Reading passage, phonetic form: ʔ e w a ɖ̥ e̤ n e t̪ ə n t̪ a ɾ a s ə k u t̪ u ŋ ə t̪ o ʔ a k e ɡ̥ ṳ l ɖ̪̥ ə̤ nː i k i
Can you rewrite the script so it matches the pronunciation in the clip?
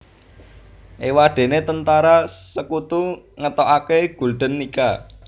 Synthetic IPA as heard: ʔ e w a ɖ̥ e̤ n e t̪ ə n t̪ a ɾ a s ə k u t̪ u ŋ ə t̪ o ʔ a k e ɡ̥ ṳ l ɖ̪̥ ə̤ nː i k a